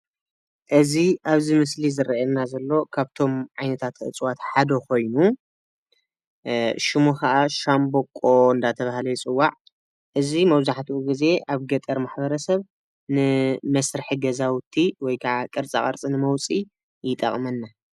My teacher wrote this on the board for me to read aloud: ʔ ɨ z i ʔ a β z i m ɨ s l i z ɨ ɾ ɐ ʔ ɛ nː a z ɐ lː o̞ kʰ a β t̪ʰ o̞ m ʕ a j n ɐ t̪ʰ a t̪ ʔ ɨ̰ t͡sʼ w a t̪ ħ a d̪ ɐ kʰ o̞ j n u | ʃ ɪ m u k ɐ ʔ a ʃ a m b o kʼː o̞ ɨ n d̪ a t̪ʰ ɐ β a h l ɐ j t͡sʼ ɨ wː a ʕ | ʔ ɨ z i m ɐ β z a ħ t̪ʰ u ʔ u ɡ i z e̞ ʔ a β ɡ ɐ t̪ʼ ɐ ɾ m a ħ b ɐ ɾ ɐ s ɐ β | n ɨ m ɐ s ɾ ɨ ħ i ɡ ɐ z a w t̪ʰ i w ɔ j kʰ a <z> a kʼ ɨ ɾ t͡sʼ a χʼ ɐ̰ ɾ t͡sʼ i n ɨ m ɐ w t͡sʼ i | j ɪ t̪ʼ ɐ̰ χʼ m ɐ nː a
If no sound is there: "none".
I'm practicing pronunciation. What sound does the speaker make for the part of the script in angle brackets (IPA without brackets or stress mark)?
ʕ